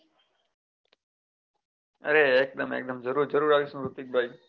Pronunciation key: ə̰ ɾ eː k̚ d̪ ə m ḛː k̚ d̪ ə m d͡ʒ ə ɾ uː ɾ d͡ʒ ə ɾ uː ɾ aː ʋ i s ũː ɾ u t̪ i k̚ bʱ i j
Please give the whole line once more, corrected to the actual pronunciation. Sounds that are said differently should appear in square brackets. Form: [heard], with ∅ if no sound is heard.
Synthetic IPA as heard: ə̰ ɾ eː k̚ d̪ ə m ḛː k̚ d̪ ə m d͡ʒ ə ɾ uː ɾ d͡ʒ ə ɾ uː ɾ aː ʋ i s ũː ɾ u t̪ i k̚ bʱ [a] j